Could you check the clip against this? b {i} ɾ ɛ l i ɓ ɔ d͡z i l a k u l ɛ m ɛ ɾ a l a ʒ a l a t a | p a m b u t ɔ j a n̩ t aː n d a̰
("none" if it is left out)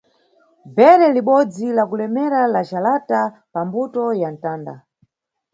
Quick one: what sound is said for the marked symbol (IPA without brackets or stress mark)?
ɛ